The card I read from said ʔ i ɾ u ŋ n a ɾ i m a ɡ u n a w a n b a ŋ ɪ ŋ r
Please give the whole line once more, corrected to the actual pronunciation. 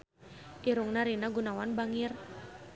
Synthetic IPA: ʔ i ɾ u ŋ n a ɾ i n a ɡ u n a w a n b a ŋ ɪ r